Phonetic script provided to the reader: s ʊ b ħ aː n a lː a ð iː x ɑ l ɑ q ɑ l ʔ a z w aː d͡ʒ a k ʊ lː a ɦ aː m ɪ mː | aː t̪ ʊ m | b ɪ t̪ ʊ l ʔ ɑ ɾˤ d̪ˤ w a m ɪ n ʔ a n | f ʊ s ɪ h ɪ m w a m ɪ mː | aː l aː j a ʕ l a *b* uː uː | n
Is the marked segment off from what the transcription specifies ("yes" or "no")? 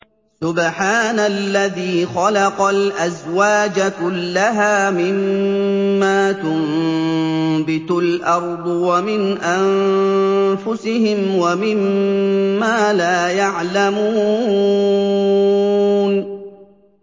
yes